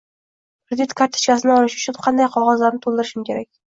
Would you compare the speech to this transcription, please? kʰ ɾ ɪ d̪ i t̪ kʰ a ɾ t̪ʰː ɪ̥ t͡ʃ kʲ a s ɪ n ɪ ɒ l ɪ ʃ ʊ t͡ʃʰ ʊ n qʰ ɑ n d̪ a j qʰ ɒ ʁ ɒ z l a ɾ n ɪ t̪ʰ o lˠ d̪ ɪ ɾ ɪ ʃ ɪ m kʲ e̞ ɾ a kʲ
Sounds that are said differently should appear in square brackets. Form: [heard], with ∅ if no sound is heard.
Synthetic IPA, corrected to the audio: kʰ ɾ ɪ d̪ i t̪ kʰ a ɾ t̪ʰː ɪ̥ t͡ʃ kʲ a s ɪ n ɪ ɒ l ɪ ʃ ʊ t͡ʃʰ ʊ n qʰ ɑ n d̪ a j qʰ ɒ ʁ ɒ z l a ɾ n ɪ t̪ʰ o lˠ d̪ ɪ ɾ ɪ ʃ ɪ m kʲ e̞ ɾ a kʲ